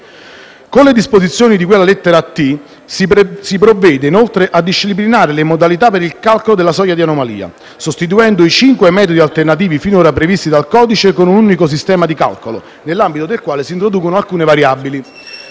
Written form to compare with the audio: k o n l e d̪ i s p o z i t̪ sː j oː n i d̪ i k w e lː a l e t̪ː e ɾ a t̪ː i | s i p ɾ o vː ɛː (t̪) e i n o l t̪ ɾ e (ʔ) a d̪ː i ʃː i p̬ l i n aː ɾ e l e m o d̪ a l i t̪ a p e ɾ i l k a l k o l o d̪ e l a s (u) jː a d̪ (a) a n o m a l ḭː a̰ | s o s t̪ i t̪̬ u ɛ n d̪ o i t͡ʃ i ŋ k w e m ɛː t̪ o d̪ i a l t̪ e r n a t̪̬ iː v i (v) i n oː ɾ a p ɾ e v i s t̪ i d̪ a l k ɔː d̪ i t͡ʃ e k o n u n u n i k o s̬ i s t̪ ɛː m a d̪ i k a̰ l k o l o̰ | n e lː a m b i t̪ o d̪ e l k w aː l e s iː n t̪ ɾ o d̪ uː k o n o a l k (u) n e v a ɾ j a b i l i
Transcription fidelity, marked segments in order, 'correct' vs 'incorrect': incorrect: d̪, correct, incorrect: ɔ, incorrect: i, incorrect: f, incorrect: uː

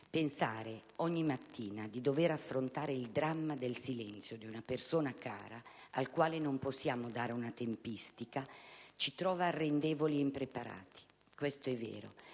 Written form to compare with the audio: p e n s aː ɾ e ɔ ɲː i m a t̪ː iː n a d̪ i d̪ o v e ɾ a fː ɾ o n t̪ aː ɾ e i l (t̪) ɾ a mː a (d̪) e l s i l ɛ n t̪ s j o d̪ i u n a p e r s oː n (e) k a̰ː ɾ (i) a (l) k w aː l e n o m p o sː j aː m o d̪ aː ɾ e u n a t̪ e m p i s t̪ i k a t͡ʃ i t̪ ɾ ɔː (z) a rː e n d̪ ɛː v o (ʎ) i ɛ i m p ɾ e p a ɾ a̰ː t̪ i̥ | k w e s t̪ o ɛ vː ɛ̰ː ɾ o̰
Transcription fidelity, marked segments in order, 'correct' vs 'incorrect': incorrect: d̪, correct, incorrect: a, incorrect: a, correct, incorrect: v, incorrect: l

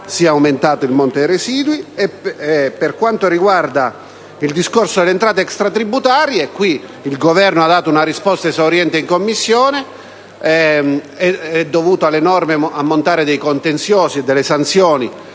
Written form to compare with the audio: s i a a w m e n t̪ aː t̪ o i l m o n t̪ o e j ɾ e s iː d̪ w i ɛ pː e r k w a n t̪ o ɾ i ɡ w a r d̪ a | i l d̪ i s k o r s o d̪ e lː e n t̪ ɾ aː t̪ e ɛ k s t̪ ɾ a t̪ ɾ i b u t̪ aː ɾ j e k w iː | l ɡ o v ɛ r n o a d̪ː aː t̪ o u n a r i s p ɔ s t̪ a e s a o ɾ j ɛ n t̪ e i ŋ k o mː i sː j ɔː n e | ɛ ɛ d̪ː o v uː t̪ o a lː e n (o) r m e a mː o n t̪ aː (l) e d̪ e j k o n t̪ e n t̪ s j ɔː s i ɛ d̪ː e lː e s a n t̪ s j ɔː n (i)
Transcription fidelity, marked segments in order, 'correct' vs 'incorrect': incorrect: ɔ, incorrect: ɾ, correct

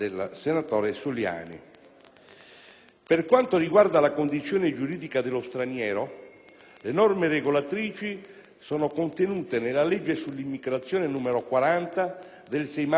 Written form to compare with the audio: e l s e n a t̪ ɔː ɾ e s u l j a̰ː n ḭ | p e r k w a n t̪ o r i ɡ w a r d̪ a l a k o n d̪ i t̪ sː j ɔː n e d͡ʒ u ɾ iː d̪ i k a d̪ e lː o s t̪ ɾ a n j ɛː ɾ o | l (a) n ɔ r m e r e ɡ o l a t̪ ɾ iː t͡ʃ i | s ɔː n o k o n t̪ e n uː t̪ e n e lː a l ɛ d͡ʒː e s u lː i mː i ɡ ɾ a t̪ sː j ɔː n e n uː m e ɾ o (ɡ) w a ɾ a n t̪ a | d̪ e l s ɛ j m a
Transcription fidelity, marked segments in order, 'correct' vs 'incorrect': incorrect: e, incorrect: k

